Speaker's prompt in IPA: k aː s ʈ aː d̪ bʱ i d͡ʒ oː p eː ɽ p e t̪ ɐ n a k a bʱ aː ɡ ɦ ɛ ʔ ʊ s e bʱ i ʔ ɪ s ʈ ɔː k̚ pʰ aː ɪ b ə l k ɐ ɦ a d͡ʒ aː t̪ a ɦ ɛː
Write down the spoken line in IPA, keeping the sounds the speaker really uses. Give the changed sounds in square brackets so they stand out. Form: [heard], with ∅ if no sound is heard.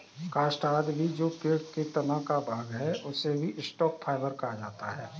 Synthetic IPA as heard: k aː s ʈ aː d̪ bʱ i d͡ʒ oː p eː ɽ [k] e t̪ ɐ n a k a bʱ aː ɡ ɦ ɛ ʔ ʊ s e bʱ i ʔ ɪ s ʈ ɔː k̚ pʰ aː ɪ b ə [ɾ] k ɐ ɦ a d͡ʒ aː t̪ a ɦ ɛː